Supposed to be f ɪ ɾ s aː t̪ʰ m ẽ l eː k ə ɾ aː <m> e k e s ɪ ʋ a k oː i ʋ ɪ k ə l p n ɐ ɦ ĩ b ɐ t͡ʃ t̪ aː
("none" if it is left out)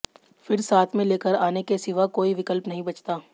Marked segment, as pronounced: n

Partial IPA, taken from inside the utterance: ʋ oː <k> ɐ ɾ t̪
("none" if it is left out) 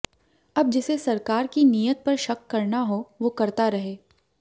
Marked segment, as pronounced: k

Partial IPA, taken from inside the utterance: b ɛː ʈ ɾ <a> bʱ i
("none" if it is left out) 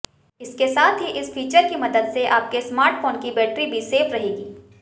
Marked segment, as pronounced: i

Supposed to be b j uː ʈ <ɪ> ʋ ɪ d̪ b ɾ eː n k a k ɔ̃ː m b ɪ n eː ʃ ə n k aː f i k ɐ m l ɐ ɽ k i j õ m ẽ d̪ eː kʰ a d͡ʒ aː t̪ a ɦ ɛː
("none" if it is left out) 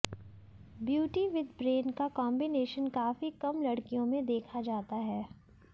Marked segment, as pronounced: i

